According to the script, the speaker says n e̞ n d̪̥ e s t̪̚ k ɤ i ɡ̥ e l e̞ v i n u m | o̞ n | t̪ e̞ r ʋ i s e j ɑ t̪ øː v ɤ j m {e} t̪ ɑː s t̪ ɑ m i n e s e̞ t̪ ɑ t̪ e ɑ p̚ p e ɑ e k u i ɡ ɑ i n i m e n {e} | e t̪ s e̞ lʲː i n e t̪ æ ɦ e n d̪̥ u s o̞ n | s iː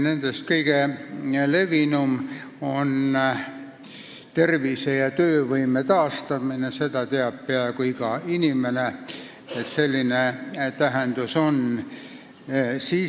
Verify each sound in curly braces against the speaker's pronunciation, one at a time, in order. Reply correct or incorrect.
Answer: correct, correct

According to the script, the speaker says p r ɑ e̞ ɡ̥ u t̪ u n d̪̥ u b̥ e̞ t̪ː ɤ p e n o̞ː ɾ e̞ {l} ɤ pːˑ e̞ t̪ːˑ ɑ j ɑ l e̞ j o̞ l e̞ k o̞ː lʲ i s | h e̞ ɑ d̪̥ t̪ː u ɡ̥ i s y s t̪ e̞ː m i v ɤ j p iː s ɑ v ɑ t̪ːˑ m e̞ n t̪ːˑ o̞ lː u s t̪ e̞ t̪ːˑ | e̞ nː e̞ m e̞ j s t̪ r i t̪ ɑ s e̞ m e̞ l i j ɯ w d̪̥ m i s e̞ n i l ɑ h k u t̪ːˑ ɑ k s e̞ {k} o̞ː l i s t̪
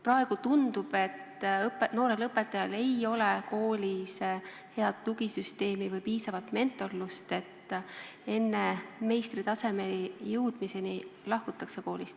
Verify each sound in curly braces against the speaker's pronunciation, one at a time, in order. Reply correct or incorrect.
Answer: correct, correct

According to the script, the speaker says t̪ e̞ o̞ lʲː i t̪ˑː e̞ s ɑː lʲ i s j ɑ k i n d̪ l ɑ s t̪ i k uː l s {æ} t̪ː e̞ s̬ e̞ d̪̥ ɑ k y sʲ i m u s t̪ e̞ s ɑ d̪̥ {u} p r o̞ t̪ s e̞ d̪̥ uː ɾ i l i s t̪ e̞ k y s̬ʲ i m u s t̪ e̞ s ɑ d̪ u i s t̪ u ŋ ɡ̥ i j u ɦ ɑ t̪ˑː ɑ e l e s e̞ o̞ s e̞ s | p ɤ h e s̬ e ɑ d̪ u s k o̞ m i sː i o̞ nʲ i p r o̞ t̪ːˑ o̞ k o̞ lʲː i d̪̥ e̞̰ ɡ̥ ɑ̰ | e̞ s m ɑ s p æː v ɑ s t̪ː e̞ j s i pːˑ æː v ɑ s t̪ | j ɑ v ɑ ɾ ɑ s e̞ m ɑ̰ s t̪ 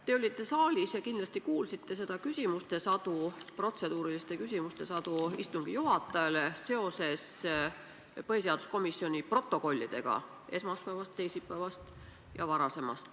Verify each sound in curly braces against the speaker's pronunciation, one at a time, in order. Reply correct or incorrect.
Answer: incorrect: i, correct

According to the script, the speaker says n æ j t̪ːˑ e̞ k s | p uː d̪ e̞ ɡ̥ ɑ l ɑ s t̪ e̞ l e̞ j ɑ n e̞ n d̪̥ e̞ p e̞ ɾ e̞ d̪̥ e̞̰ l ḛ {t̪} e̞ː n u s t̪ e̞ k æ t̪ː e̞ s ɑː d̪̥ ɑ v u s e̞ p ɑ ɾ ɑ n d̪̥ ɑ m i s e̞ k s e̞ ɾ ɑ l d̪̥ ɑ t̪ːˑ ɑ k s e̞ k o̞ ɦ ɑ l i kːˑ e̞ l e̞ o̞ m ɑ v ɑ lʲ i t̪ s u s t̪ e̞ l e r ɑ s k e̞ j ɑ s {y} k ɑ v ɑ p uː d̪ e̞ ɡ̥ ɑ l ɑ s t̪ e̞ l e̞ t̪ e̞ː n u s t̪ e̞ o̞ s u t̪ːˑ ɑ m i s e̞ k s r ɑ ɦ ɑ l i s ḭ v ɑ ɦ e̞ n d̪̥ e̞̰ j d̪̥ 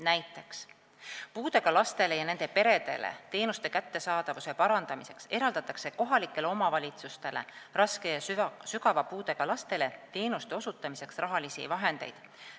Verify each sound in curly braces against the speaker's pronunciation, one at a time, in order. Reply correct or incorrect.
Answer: correct, correct

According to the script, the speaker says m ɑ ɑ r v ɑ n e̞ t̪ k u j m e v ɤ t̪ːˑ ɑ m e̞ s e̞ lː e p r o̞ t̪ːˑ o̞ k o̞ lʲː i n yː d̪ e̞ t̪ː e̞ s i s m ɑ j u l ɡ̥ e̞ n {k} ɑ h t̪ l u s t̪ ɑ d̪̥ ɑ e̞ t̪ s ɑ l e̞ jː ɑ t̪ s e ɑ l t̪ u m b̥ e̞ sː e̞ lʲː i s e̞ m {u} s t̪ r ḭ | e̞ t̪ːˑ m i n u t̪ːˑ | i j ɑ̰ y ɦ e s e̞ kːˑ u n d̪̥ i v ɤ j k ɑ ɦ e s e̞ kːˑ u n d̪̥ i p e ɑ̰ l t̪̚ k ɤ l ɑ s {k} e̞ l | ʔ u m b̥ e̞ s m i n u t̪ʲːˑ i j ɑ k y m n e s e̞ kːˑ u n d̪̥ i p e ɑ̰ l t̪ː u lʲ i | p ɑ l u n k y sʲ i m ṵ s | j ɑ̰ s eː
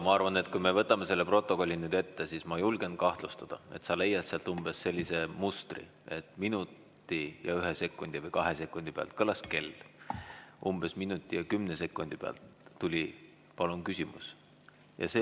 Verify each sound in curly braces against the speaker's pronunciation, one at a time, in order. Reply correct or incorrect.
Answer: correct, correct, correct

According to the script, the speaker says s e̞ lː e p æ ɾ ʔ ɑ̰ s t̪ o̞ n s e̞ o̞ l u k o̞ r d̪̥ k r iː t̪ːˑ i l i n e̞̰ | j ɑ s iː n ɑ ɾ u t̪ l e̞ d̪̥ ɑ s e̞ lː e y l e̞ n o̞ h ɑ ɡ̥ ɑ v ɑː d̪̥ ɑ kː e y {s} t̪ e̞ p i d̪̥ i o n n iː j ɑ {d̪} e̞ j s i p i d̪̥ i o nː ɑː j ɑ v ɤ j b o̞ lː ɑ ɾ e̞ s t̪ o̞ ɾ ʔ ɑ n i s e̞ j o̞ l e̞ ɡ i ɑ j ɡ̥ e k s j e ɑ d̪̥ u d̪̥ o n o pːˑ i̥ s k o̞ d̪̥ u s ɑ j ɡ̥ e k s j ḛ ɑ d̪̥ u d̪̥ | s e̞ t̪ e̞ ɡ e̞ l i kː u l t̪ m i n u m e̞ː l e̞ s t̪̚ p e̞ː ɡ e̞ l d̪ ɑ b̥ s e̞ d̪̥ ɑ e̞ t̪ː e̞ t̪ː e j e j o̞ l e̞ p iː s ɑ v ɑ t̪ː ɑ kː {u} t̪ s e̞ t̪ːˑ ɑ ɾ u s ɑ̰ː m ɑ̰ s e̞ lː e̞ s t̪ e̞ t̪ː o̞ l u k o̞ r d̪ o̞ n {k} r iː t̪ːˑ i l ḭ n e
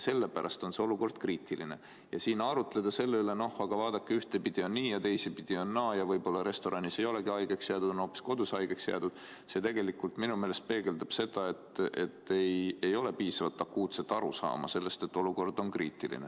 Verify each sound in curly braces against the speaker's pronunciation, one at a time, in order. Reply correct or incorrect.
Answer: incorrect: h, incorrect: t̪, incorrect: uː, correct

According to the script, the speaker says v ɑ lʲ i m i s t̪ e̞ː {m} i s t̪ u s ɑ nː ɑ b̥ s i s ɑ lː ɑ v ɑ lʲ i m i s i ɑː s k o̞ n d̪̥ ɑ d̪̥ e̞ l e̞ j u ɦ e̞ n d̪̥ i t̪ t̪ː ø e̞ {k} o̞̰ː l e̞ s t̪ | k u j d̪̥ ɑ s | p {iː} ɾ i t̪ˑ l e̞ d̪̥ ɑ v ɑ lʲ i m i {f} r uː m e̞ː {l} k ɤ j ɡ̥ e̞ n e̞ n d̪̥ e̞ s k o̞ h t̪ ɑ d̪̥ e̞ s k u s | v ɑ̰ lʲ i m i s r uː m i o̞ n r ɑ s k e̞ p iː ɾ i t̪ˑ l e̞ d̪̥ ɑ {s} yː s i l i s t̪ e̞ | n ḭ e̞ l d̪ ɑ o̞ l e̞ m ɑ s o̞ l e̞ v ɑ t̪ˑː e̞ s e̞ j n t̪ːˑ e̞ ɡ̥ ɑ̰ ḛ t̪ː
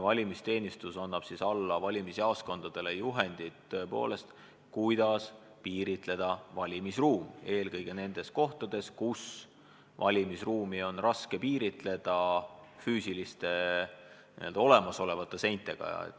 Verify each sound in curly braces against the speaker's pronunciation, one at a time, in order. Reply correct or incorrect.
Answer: incorrect: n, incorrect: p, correct, incorrect: s, correct, incorrect: f

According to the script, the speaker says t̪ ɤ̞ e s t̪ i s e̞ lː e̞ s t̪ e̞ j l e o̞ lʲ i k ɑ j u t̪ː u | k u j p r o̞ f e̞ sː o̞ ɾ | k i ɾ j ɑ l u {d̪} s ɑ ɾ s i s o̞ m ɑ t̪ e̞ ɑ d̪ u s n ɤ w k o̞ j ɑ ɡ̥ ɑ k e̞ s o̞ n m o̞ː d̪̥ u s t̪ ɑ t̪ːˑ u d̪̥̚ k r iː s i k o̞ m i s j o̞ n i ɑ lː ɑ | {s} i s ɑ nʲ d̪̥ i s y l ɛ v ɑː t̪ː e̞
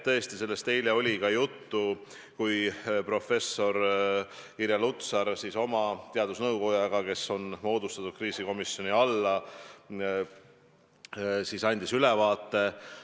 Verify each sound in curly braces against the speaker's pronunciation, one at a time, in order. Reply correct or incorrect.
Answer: incorrect: t̪, correct

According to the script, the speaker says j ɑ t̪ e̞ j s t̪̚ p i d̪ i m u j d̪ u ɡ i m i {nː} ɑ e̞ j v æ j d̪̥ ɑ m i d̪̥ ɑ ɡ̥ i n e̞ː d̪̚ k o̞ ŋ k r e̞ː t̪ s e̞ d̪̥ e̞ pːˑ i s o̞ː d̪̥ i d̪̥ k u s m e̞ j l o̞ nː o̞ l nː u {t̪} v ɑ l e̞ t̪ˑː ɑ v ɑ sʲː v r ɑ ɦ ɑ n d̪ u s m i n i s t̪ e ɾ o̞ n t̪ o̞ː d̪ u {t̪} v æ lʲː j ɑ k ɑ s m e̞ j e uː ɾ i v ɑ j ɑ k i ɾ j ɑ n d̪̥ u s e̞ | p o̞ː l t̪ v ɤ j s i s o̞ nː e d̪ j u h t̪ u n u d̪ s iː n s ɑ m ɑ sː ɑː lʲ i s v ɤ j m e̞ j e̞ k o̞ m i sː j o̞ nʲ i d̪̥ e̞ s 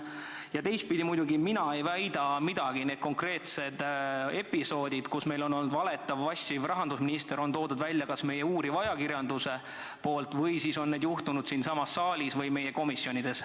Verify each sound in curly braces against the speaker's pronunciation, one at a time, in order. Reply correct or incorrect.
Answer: incorrect: n, incorrect: d̪, incorrect: d̪

